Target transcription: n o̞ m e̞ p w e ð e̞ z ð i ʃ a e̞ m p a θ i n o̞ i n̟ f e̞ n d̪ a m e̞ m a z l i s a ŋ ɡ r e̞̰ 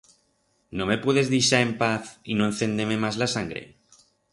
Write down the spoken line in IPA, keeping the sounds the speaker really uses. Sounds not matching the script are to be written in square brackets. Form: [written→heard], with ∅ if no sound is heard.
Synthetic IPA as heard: n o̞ m e̞ p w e ð e̞ z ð i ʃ a e̞ m p a θ i n o̞ [i→e] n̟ [f→θ] e̞ n d̪ [a→e] m e̞ m a z l [i→a] s a ŋ ɡ [r→ɾ] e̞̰